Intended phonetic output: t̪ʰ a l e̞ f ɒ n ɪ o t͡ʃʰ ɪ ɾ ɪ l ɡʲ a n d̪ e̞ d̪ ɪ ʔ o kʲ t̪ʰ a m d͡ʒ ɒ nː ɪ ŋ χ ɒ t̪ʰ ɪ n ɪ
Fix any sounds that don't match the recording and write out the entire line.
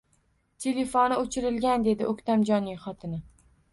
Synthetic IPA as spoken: t̪ʰ e l e̞ f o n ɪ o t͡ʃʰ ɪ ɾ ɪ l ɡʲ a n d̪ e̞ d̪ ɪ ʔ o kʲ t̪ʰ a m d͡ʒ ɒ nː ɪ ŋ χ ɒ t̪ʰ ɪ n ɪ